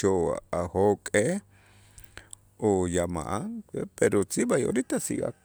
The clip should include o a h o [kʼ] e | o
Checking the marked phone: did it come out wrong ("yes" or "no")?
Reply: no